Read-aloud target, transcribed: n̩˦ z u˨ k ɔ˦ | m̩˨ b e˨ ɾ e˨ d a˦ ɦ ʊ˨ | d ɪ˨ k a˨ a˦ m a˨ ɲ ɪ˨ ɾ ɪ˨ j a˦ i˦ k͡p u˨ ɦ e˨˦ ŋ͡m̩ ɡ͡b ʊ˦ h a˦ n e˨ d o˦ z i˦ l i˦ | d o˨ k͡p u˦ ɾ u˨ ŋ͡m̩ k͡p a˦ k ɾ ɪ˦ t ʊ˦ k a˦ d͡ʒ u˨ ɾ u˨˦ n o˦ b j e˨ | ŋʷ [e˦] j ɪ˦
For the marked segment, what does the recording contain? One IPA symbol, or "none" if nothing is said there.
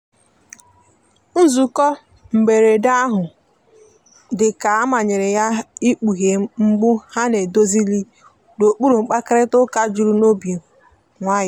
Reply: a˦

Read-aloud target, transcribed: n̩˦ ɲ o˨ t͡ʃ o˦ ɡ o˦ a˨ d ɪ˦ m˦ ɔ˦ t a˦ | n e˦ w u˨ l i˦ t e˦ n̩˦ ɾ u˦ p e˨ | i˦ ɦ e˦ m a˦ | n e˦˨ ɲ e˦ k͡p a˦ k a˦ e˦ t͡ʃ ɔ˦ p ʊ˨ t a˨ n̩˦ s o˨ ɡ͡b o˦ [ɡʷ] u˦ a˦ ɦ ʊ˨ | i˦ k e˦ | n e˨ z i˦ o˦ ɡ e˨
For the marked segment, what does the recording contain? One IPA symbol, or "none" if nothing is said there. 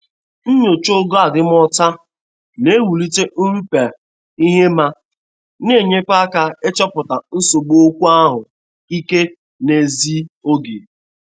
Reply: kʷ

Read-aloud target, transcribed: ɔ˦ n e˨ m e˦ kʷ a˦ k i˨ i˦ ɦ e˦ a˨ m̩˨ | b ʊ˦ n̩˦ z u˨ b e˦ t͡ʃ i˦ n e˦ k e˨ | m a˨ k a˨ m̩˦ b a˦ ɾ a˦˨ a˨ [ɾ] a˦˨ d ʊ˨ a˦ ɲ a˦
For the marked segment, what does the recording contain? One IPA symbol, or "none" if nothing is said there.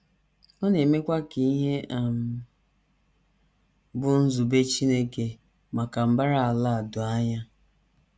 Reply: l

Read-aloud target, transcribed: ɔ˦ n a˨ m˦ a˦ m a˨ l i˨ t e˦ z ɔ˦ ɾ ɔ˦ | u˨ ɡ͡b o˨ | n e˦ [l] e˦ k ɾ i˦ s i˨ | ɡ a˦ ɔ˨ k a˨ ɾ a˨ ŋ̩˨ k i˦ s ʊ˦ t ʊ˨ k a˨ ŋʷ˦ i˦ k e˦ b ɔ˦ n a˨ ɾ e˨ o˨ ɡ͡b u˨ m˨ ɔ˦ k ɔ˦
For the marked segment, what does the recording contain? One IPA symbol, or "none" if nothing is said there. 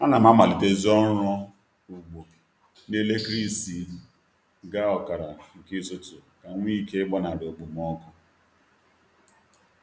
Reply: l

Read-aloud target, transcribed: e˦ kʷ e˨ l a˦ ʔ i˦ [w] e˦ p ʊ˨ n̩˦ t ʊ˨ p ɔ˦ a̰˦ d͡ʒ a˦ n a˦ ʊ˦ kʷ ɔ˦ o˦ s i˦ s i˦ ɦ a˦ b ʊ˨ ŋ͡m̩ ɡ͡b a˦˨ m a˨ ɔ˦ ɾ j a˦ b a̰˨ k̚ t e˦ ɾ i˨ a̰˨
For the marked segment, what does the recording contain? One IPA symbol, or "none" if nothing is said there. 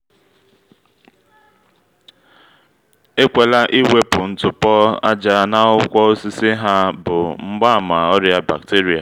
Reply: w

